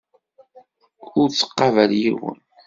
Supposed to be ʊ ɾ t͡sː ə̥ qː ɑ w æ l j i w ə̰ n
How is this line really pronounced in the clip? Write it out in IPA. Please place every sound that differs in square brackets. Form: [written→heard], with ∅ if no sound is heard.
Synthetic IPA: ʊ ɾ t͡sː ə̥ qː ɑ [w→v] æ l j i w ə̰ n